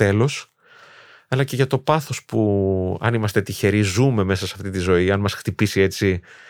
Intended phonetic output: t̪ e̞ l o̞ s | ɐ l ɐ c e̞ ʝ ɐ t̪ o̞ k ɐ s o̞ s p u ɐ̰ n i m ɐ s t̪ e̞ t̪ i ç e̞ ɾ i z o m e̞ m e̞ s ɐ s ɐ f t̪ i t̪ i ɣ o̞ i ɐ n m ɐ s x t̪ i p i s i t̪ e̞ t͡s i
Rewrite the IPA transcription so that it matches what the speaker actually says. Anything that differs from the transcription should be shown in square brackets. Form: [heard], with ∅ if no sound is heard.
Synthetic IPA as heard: t̪ e̞ l o̞ s | ɐ l ɐ c e̞ ʝ ɐ t̪ o̞ [p] ɐ [θ] o̞ s p u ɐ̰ n i m ɐ s t̪ e̞ t̪ i ç e̞ ɾ i z [u] m e̞ m e̞ s ɐ s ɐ f t̪ i t̪ i [z] o̞ i ɐ n m ɐ s x t̪ i p i s i [∅] e̞ t͡s i